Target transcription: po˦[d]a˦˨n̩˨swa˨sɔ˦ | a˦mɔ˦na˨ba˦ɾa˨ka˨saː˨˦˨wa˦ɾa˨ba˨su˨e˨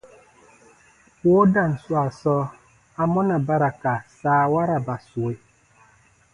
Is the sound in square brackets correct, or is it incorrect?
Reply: correct